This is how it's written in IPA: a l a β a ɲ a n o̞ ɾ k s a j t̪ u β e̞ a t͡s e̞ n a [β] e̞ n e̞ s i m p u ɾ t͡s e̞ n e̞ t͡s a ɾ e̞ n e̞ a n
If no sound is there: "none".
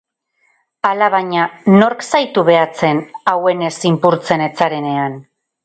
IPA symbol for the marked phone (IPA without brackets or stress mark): w